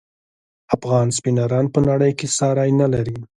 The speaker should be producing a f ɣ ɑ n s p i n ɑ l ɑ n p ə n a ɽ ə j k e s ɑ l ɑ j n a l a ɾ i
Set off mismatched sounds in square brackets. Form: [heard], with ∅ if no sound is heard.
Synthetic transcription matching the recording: a f ɣ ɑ n s p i n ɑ [ɾ] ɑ n p ə n a ɽ ə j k e s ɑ [ɾ] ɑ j n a l a ɾ i